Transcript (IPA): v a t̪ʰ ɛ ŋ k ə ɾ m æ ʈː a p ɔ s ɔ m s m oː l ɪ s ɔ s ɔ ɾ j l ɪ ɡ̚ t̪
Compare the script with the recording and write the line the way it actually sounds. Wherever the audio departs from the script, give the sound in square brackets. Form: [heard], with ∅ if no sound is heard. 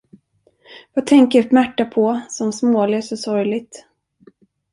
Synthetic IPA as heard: v a t̪ʰ ɛ ŋ k ə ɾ m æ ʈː a [pʰ] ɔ s ɔ m s m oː l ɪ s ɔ s ɔ ɾ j l ɪ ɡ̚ t̪